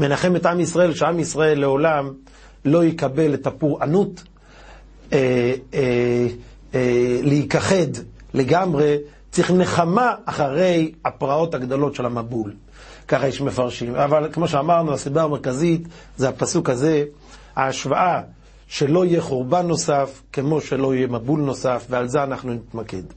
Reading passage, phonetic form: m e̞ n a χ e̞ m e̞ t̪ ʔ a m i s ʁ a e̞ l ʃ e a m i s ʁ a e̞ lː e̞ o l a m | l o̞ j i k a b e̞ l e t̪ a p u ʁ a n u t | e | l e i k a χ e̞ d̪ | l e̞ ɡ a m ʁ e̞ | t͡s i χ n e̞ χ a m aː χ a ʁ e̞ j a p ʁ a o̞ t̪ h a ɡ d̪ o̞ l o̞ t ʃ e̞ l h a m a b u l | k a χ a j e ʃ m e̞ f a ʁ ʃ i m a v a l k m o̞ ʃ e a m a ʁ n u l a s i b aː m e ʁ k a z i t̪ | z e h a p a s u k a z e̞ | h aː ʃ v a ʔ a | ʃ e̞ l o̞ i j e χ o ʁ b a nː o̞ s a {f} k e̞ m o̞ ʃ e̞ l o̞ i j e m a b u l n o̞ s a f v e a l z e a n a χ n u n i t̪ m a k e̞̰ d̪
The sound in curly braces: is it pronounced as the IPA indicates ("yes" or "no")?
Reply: yes